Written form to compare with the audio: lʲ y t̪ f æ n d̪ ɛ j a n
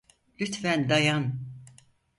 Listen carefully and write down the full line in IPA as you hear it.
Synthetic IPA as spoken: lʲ y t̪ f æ n d̪ a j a n